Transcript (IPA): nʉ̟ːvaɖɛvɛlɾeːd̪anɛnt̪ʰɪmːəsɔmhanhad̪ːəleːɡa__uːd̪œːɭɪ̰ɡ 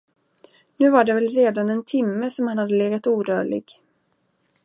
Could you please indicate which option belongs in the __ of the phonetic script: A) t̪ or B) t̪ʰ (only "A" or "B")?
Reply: A